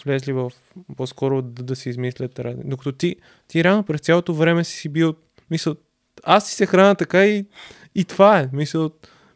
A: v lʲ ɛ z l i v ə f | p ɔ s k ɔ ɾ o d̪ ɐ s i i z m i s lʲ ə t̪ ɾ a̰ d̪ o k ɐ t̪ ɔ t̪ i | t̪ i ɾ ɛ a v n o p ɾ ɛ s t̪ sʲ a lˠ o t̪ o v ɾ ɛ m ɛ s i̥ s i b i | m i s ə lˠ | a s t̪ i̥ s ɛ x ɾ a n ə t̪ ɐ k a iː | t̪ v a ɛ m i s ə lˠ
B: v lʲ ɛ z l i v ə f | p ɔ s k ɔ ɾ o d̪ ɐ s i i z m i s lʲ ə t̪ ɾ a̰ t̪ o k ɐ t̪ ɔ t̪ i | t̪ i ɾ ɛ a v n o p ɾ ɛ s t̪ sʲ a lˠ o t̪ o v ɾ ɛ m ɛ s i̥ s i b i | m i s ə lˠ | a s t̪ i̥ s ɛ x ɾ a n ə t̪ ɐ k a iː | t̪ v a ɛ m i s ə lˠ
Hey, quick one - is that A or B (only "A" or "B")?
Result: A